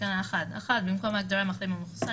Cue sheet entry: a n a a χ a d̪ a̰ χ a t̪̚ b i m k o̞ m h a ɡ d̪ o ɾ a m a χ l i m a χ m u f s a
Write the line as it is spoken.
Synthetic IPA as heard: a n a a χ a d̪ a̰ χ a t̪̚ b i m k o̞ m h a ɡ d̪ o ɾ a m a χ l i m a m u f s a